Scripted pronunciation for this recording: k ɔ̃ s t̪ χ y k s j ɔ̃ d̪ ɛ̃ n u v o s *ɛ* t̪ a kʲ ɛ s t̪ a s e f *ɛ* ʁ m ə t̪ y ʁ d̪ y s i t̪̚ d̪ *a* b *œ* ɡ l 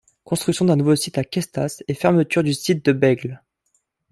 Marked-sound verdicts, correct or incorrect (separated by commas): incorrect, correct, incorrect, incorrect